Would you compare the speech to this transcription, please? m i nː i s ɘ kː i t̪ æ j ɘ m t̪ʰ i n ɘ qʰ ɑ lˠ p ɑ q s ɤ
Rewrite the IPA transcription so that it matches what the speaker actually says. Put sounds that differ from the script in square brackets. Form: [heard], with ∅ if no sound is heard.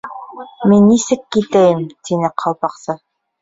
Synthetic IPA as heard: m i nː i s ɘ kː i t̪ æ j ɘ m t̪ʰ i n ɘ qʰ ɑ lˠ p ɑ q s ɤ